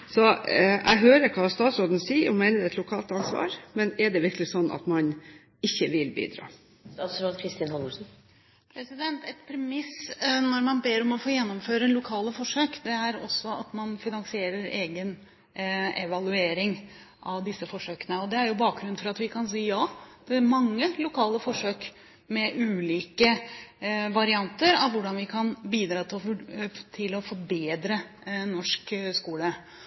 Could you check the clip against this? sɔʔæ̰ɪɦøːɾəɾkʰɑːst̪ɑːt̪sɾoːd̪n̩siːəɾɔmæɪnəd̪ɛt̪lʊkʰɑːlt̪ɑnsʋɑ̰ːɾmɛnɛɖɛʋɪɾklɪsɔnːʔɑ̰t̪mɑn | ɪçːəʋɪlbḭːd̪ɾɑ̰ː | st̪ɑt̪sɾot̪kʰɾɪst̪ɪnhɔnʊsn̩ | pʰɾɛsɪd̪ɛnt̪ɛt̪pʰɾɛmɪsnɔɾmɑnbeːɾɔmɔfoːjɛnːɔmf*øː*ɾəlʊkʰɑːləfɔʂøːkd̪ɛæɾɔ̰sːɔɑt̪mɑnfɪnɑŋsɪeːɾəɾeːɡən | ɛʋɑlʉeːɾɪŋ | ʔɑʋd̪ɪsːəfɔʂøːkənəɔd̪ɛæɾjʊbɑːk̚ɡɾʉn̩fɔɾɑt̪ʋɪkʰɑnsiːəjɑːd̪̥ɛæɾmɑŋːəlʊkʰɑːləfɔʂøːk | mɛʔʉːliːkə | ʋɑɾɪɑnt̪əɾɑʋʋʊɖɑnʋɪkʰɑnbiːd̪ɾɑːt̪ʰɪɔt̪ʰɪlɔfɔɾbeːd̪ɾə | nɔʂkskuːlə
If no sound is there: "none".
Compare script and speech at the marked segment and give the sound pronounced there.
øː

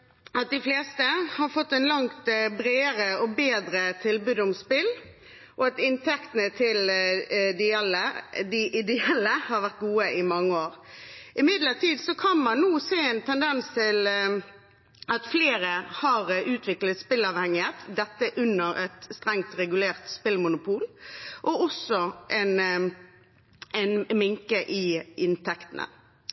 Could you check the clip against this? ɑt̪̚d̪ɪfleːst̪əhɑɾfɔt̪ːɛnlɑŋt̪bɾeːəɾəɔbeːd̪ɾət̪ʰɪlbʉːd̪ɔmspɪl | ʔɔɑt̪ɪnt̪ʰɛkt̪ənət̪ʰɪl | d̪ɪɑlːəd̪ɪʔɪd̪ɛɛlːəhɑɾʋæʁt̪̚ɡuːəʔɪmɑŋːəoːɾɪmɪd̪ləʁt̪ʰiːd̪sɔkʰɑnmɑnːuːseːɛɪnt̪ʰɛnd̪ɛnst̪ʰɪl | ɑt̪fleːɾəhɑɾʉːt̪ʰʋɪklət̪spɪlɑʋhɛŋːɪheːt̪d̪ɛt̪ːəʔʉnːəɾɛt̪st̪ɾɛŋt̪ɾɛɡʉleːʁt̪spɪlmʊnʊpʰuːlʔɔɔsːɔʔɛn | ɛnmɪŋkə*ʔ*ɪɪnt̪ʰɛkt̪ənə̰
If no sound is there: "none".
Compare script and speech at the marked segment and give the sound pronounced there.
ʔ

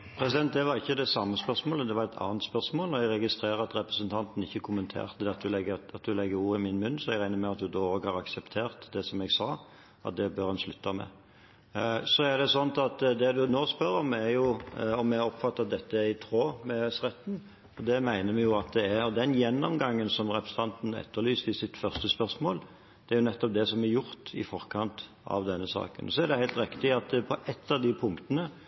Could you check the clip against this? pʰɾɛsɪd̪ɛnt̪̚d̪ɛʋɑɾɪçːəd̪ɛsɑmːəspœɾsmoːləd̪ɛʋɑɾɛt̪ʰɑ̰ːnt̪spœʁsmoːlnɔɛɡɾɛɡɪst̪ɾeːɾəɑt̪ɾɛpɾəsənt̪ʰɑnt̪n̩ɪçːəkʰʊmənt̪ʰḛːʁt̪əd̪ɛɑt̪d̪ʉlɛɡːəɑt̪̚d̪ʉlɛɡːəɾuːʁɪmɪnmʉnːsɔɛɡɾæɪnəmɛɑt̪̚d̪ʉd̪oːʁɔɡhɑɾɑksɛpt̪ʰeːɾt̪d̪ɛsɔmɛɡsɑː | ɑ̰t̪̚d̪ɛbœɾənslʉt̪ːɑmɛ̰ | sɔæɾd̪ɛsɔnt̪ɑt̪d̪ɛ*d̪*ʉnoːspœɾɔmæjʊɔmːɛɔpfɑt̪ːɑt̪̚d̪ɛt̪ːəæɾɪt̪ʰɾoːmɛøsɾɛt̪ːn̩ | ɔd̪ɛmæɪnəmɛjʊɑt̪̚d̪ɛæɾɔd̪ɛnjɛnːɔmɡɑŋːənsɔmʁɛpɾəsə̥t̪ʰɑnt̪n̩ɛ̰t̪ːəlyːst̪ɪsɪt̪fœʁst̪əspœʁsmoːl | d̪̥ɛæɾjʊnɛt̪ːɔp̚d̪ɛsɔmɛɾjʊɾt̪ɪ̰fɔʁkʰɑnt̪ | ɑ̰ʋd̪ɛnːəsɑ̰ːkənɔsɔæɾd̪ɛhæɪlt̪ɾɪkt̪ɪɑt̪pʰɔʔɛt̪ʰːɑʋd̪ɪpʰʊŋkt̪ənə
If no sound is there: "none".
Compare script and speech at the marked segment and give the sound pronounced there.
d̪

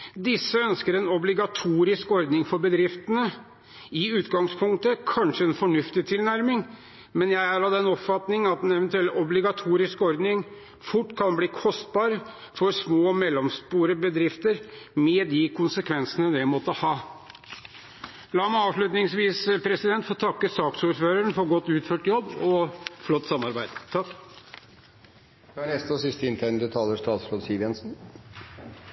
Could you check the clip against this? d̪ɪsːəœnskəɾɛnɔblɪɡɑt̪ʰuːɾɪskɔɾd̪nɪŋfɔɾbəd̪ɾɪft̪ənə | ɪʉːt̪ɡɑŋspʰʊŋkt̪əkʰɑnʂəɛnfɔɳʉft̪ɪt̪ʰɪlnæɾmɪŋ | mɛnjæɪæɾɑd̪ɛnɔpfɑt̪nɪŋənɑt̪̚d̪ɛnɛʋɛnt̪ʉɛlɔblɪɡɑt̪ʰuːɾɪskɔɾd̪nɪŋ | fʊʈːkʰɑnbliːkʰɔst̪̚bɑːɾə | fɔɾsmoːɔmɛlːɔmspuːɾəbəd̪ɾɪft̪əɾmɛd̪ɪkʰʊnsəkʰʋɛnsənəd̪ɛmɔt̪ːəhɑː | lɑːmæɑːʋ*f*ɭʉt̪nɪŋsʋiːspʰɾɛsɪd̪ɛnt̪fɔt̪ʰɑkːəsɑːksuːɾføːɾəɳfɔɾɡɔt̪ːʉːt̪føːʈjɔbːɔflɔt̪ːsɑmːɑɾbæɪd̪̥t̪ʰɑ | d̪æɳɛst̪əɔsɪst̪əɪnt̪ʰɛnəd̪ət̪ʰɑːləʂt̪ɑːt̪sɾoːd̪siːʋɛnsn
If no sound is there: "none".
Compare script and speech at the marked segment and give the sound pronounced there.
ʂ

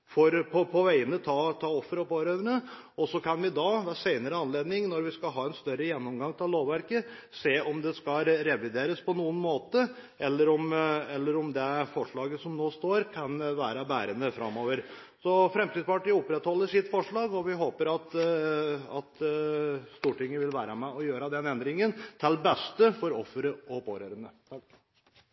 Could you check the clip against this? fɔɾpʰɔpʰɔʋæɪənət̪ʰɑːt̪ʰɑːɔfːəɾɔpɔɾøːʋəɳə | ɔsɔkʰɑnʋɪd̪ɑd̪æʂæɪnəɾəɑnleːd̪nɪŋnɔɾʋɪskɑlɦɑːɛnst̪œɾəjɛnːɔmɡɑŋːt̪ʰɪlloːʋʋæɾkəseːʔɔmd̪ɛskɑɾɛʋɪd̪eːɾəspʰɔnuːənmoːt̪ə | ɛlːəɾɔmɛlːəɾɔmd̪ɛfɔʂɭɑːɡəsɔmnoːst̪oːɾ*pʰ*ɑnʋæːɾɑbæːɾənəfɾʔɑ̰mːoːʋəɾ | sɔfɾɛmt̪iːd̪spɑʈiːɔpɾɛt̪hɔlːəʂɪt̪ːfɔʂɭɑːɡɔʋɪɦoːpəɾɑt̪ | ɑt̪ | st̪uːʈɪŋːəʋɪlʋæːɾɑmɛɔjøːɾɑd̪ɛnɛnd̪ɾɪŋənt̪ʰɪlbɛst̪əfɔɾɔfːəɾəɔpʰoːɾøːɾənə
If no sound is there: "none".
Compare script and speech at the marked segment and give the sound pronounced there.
kʰ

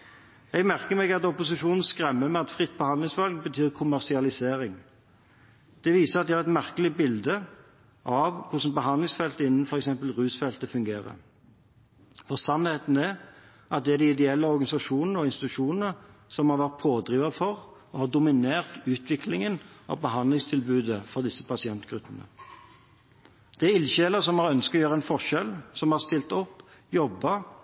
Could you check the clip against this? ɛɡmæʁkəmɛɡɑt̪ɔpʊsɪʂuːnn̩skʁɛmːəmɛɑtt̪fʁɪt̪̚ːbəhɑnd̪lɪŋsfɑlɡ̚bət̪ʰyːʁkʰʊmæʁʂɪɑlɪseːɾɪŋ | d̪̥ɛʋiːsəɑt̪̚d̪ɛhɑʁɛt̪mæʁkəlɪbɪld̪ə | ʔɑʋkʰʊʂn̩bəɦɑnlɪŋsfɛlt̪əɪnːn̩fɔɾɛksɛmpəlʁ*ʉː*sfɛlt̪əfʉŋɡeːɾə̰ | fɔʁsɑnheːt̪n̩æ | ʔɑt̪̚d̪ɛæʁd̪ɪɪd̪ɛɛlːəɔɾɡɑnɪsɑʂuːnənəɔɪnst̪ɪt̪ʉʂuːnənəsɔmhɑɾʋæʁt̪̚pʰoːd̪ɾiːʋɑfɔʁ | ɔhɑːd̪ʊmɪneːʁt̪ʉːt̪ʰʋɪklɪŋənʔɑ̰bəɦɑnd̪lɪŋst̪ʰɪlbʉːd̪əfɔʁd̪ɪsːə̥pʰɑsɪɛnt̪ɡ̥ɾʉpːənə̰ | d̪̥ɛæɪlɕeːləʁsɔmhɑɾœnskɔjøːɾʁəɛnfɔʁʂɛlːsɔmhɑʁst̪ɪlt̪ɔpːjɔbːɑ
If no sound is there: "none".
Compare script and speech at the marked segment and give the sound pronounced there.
ʉː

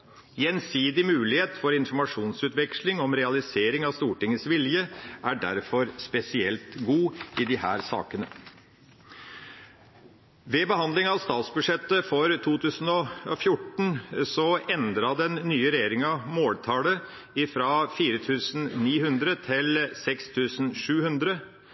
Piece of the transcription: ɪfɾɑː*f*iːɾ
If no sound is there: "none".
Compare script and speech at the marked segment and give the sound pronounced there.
f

